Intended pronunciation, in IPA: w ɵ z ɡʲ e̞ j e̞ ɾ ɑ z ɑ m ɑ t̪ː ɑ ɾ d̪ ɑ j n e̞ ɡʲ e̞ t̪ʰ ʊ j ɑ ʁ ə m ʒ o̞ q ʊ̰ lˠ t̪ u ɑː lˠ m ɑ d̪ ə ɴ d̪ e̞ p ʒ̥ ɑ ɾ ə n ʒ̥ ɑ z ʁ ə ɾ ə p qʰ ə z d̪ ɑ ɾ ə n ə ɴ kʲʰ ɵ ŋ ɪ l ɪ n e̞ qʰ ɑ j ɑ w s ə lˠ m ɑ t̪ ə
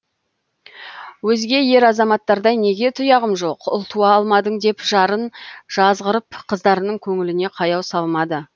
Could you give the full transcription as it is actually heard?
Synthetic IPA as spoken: w ɵ z ɡʲ e̞ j e̞ ɾ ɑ z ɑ m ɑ t̪ː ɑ ɾ d̪ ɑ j n e̞ ɡʲ e̞ t̪ʰ ʊ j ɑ ʁ ə m ʒ o̞ q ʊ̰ lˠ t̪ u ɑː lˠ m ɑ d̪ ə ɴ d̪ e̞ p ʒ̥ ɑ ɾ ə n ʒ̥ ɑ z ʁ ə ɾ ə p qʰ ə z d̪ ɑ ɾ ə n ə ɴ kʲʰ ɵ ŋ ɪ l ɪ n e̞ qʰ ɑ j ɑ w s ɑ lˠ m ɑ d̪ ə

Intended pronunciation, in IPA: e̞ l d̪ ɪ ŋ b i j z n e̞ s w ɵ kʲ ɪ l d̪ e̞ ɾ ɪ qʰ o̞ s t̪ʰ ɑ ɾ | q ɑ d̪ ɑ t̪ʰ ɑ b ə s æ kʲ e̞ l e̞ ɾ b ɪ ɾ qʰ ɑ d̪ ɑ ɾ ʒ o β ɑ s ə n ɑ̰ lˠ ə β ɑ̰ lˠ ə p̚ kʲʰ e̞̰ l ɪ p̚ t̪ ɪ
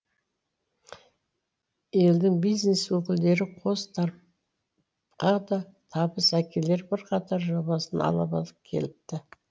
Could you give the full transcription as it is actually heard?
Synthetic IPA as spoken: e̞ l d̪ ɪ ŋ b i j z n e̞ s w ɵ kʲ ɪ l d̪ e̞ ɾ ɪ qʰ o̞ s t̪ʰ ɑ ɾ | q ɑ d̪ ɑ t̪ʰ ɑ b ə s æ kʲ e̞ l e̞ ɾ b ɪ ɾ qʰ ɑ t̪ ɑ ɾ ʒ o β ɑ s ə n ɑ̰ lˠ ɑ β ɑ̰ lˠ ə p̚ kʲʰ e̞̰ l ɪ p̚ t̪ ɪ

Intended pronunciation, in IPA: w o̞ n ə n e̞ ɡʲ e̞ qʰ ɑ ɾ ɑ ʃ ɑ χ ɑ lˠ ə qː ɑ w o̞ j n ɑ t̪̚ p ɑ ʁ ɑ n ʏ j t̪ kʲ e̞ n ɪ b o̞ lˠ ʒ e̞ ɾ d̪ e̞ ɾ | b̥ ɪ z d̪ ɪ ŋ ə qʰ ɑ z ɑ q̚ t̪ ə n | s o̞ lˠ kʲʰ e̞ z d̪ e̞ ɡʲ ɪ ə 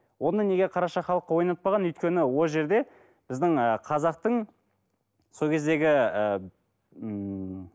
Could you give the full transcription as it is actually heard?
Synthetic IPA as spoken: w o̞ n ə n e̞ ɡʲ e̞ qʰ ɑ ɾ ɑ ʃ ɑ χ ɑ lˠ ə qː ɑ w o̞ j n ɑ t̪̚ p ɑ ʁ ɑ n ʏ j t̪ kʲ e̞ n ɪ w o̞ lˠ ʒ e̞ ɾ d̪ e̞ | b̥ ɪ z d̪ ɪ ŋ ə qʰ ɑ z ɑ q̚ t̪ ə ɴ | s o̞ lˠ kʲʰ e̞ z d̪ e̞ ɡʲ ɪ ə

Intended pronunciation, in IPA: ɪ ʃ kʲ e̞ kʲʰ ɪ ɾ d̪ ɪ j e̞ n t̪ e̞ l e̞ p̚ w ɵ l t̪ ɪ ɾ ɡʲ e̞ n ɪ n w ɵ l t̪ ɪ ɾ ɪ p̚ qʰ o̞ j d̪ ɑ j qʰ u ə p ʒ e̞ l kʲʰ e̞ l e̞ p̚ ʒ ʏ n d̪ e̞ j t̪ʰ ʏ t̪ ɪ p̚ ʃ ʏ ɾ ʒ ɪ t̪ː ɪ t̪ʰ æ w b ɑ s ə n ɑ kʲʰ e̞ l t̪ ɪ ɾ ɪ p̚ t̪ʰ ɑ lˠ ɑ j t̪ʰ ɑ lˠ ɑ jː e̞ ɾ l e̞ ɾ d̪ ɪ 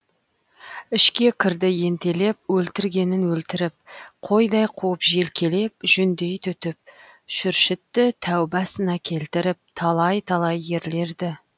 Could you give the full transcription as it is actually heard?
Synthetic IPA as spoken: ɪ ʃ kʲ e̞ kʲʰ ɪ ɾ d̪ ɪ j e̞ n t̪ e̞ l e̞ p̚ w ɵ l t̪ ɪ ɾ ɡʲ e̞ n ɪ n w ɵ l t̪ ɪ ɾ ɪ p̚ qʰ o̞ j d̪ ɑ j qʰ u ə p ʒ e̞ l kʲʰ e̞ l e̞ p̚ ʒ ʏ n d̪ e̞ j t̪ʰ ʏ t̪ ɪ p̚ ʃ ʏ ɾ ʃ ɪ t̪ː ɪ t̪ʰ æ w b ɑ s ə n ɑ kʲʰ e̞ l t̪ ɪ ɾ ɪ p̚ t̪ʰ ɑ lˠ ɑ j t̪ʰ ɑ lˠ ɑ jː e̞ ɾ l e̞ ɾ d̪ ɪ

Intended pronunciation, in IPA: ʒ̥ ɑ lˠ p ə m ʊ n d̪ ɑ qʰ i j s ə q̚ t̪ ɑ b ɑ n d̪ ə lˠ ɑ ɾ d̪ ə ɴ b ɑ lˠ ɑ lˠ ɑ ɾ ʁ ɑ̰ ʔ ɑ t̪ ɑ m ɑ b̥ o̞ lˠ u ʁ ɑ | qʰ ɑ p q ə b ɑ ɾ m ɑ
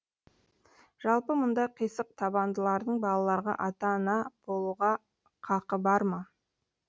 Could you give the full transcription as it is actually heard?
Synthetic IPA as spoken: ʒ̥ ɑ lˠ p ə m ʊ n d̪ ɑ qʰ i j s ə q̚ t̪ʰ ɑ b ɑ n d̪ ə lˠ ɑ ɾ d̪ ə ɴ b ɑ lˠ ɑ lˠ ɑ ɾ ʁ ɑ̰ ʔ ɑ t̪ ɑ n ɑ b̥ o̞ lˠ u ʁ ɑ | qʰ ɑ q ə b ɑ ɾ m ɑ

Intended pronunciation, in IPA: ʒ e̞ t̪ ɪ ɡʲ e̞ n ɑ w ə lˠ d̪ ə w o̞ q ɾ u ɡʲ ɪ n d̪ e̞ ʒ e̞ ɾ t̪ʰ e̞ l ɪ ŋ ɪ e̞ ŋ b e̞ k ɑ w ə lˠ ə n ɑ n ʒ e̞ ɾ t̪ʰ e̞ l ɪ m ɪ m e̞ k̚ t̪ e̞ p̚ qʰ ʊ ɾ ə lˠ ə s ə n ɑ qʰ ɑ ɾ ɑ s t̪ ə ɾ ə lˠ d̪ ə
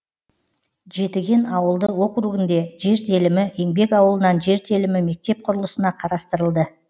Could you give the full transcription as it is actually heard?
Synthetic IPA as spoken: ʒ e̞ t̪ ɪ ɡʲ e̞ n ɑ w ə lˠ d̪ ə w o̞ q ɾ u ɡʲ ɪ n d̪ e̞ ʒ e̞ ɾ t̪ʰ e̞ l ɪ m ɪ e̞ ŋ b e̞ k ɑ w ə lˠ ə n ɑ n ʒ e̞ ɾ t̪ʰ e̞ l ɪ m ɪ m e̞ k̚ t̪ e̞ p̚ qʰ ʊ ɾ ə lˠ ə s ə n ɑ qʰ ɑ ɾ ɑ s t̪ ə ɾ ə lˠ d̪ ə

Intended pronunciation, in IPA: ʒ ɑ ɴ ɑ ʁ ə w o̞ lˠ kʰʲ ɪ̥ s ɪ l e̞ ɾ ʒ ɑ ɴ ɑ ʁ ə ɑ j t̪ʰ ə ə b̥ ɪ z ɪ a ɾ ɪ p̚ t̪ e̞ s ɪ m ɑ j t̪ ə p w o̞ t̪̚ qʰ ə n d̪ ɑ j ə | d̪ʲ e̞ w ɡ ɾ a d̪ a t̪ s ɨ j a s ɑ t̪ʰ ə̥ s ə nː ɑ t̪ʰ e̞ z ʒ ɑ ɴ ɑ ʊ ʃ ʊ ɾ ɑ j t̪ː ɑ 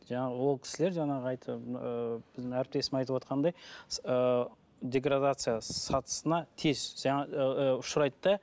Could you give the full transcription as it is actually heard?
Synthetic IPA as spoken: ʒ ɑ ɴ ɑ ʁ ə w o̞ lˠ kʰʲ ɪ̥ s ɪ l e̞ ɾ ʒ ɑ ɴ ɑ ʁ ə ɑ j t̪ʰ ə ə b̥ ɪ z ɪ æ ɾ ɪ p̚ t̪ e̞ s ɪ m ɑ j t̪ ə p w o̞ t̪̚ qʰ ɑ n d̪ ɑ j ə | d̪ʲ e̞ ɡ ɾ a d̪ a t̪ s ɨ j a s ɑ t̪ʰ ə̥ s ə n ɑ t̪ʰ e̞ z ʒ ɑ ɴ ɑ ʊ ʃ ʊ ɾ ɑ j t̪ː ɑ

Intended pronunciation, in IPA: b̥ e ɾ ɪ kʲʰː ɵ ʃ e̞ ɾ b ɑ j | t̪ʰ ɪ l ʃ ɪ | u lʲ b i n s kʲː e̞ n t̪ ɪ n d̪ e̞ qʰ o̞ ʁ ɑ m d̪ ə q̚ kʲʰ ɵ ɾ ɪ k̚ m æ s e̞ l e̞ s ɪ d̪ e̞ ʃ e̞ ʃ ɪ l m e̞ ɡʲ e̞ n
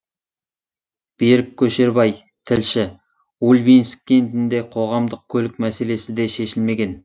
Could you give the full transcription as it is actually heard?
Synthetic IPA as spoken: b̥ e ɾ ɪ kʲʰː ɵ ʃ e̞ ɾ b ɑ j | t̪ʰ ɪ l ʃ ɪ | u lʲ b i n s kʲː e̞ n t̪ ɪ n d̪ e̞ qʰ o̞ ʁ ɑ m d̪ ə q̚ kʲʰ ɵ l ɪ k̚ m æ s e̞ l e̞ s ɪ d̪ e̞ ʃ e̞ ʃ ɪ l m e̞ ɡʲ e̞ n

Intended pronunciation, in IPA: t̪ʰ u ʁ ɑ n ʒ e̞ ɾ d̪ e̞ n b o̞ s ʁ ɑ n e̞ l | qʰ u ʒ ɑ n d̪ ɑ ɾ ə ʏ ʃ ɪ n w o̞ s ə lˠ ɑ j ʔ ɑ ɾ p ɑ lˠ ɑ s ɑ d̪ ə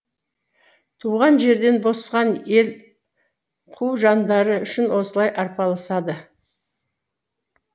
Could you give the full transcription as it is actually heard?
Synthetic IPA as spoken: t̪ʰ u ʁ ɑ n ʒ e̞ ɾ d̪ e̞ n b o̞ s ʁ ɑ n e̞ l | qʰ u ʒ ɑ n d̪ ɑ ɾ ə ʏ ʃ ɪ n w o̞ s ə lˠ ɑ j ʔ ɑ ɾ p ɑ lˠ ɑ s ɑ d̪ ə

